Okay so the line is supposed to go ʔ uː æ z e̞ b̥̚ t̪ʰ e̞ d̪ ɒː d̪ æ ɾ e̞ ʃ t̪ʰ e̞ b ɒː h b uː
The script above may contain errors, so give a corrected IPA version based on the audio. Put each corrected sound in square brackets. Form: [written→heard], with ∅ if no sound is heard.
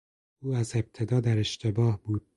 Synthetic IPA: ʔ uː æ z e̞ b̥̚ t̪ʰ e̞ d̪ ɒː d̪ æ ɾ e̞ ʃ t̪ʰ e̞ b ɒː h b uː